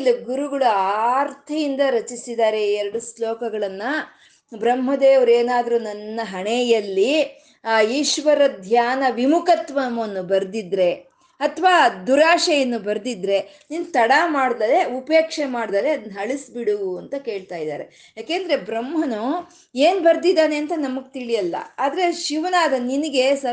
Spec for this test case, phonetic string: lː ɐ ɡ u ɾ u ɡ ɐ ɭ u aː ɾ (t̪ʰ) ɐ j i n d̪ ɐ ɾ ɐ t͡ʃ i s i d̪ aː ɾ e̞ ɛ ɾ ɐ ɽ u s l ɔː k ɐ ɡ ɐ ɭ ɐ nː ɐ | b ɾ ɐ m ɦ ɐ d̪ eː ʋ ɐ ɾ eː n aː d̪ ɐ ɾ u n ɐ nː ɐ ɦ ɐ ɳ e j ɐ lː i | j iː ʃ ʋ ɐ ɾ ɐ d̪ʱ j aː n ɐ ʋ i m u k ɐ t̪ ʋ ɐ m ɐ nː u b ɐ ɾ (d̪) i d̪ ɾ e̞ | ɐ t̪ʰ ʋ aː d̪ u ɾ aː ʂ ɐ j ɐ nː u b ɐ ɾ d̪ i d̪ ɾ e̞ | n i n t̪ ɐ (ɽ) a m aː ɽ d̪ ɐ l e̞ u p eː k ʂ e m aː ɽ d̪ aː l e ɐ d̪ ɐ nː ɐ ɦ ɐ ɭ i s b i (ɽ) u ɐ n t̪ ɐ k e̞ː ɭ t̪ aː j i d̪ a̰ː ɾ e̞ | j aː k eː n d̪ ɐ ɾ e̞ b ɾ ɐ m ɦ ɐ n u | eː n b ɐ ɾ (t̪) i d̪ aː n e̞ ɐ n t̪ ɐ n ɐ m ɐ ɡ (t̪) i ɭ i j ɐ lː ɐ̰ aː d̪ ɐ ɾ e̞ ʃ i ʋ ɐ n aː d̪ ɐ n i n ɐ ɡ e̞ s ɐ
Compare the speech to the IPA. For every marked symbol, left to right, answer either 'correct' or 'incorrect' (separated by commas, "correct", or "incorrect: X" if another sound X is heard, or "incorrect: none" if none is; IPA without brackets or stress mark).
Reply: correct, correct, correct, correct, incorrect: d̪, correct